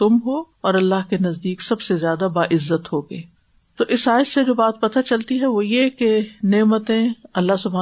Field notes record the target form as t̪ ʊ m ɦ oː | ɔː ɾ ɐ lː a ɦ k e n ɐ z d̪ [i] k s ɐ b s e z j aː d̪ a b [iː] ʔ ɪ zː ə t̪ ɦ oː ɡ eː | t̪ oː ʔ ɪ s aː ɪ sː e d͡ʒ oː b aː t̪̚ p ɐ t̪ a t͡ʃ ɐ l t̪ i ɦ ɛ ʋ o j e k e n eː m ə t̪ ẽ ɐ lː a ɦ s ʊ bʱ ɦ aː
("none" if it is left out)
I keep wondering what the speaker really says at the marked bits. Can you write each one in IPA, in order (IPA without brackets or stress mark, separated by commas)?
iː, aː